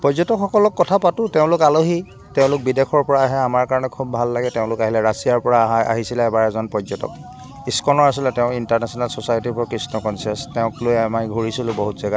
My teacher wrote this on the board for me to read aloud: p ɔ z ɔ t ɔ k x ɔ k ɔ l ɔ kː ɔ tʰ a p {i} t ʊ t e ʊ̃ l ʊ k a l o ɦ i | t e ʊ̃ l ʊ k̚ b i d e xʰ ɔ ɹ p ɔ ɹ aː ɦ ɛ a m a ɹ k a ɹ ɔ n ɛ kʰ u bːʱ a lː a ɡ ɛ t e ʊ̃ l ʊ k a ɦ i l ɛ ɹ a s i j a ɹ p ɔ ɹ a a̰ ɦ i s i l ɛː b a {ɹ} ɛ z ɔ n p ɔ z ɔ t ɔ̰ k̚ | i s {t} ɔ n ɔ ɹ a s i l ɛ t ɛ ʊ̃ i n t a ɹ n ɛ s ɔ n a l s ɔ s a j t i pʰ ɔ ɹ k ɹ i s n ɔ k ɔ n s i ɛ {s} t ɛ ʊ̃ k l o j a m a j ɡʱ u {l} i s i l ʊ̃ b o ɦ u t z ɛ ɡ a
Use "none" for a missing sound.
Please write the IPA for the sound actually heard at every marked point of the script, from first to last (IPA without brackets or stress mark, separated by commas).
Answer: a, ɹ, k, s, ɹ